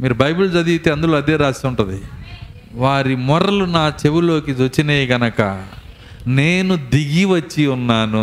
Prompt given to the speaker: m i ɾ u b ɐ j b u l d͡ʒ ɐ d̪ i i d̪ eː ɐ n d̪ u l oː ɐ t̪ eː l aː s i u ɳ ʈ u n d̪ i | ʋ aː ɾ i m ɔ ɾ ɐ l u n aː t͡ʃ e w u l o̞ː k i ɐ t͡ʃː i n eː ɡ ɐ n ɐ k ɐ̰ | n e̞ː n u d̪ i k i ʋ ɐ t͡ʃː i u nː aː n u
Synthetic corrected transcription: m iː ɾ u b ɐ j b u l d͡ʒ ɐ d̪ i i t̪ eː ɐ n d̪ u l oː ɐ d̪ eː ɾ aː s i u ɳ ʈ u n d̪ i | ʋ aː ɾ i m ɔ ɾ ɐ l u n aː t͡ʃ e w u l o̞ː k i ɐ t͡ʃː i n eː ɡ ɐ n ɐ k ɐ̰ | n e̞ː n u d̪ i ɡ i ʋ ɐ t͡ʃː i u nː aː n u